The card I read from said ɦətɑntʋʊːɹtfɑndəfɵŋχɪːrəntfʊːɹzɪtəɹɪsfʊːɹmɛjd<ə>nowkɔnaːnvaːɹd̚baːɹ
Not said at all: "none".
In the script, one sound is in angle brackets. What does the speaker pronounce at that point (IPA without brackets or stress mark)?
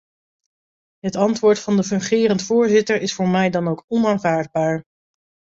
ɑ